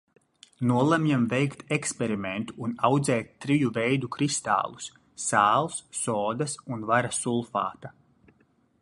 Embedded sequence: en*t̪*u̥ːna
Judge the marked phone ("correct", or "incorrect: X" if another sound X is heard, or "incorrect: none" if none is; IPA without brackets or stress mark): correct